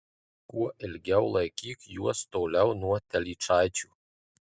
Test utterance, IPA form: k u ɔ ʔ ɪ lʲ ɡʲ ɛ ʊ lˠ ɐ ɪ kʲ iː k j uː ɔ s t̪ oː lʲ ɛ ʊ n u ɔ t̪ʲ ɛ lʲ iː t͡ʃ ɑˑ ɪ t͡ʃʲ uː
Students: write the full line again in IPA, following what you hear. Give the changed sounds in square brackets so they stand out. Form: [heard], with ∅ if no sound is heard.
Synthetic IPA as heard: k u ɔ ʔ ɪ lʲ ɡʲ ɛ ʊ lˠ ɐ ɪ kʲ iː k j [u] ɔ s t̪ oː lʲ ɛ ʊ n u ɔ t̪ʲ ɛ lʲ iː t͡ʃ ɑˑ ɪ t͡ʃʲ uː

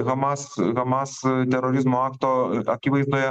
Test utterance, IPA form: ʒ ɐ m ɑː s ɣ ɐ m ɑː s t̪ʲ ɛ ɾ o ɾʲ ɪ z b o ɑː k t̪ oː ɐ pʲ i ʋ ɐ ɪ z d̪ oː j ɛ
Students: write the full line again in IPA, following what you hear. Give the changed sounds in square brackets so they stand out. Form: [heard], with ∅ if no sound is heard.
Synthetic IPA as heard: [ɣ] ɐ m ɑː s ɣ ɐ m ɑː s t̪ʲ ɛ ɾ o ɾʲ ɪ z [m] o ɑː k t̪ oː ɐ [kʲ] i ʋ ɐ ɪ z d̪ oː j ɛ

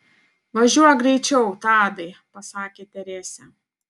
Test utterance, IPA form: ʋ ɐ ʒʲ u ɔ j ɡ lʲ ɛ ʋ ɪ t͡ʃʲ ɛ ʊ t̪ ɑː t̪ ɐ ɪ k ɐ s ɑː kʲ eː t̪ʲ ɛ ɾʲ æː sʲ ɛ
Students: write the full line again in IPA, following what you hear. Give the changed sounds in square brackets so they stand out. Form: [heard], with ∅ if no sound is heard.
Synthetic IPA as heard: ʋ ɐ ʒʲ u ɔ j ɡ [ɾʲ] ɛ [∅] ɪ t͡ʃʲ ɛ ʊ t̪ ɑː [d̪] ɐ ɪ [p] ɐ s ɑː kʲ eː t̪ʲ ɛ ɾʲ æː sʲ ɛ

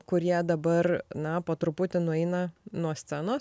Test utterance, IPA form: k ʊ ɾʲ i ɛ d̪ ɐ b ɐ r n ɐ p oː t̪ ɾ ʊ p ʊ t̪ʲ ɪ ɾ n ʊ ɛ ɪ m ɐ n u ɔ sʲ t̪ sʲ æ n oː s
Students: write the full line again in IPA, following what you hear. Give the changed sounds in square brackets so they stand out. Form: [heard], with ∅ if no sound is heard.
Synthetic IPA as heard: k ʊ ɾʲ i ɛ d̪ ɐ b ɐ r n ɐ p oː t̪ ɾ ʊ p ʊ t̪ʲ ɪ [∅] n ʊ ɛ ɪ [n] ɐ n u ɔ sʲ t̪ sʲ æ n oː s

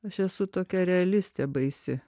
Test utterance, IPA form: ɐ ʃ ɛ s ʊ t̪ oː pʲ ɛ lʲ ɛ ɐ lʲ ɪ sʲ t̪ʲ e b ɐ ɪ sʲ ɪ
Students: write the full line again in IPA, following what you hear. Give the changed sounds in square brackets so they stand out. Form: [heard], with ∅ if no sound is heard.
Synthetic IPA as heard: ɐ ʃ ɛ s ʊ t̪ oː [kʲ] ɛ [ɾʲ] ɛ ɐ lʲ ɪ sʲ t̪ʲ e b ɐ ɪ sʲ ɪ

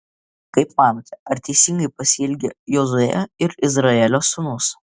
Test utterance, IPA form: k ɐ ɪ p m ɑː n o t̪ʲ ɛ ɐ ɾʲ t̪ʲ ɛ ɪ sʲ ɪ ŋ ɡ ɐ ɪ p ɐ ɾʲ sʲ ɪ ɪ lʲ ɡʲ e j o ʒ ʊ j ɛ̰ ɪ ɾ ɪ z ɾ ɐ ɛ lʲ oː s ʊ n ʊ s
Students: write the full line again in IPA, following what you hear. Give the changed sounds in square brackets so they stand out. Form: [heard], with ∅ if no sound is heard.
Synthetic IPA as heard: k ɐ ɪ p m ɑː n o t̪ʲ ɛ ɐ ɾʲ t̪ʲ ɛ ɪ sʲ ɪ ŋ ɡ ɐ ɪ p ɐ [∅] sʲ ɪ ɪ lʲ ɡʲ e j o [z] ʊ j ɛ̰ ɪ ɾ ɪ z ɾ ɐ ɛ lʲ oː s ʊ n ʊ s

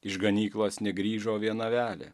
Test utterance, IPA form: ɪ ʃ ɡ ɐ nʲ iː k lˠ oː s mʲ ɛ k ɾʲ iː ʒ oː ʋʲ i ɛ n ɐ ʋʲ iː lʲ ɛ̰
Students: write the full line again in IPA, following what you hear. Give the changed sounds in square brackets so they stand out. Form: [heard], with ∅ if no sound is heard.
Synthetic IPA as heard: ɪ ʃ ɡ ɐ nʲ iː k lˠ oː s [nʲ] ɛ [ɡ] ɾʲ iː ʒ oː ʋʲ i ɛ n ɐ ʋʲ [æː] lʲ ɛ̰

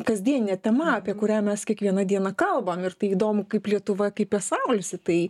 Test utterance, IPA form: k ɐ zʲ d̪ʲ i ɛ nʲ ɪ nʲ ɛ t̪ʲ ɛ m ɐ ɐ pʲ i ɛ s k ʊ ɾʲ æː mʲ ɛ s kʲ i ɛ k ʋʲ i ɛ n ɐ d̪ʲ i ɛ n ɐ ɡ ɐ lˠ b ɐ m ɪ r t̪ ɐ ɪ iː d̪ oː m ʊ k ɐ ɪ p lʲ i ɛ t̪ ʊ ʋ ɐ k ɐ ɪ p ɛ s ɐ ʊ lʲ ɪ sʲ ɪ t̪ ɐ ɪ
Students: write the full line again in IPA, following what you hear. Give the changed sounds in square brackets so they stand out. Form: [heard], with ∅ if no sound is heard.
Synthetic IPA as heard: k ɐ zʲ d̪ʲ i ɛ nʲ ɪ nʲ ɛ t̪ʲ ɛ m ɐ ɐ pʲ i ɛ [∅] k ʊ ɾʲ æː mʲ ɛ s kʲ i ɛ k ʋʲ i ɛ n ɐ d̪ʲ i ɛ n ɐ [k] ɐ lˠ b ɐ m ɪ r t̪ ɐ ɪ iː d̪ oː m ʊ k ɐ ɪ p lʲ i ɛ t̪ ʊ ʋ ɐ k ɐ ɪ p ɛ s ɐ ʊ lʲ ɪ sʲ ɪ t̪ ɐ ɪ

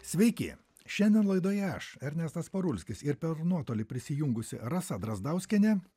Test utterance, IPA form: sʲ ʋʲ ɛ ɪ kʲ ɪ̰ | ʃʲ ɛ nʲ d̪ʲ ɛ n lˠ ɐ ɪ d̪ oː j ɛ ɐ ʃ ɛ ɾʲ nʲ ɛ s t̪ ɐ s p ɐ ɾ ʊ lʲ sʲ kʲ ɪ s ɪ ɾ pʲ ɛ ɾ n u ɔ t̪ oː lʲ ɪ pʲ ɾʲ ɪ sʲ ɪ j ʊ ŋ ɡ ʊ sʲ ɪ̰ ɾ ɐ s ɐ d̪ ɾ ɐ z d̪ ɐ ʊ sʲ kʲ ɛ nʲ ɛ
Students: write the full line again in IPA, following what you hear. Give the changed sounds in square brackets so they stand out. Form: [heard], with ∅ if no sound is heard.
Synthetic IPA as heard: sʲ ʋʲ ɛ ɪ kʲ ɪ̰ | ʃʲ ɛ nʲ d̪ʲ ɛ n lˠ ɐ ɪ d̪ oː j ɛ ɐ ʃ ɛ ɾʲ nʲ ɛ s t̪ ɐ s p ɐ ɾ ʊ lʲ sʲ kʲ ɪ s ɪ ɾ pʲ ɛ ɾ n u ɔ t̪ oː lʲ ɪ pʲ ɾʲ ɪ sʲ ɪ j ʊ ŋ ɡ ʊ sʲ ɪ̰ ɾ ɐ s ɐ d̪ ɾ ɐ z d̪ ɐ ʊ sʲ kʲ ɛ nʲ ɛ

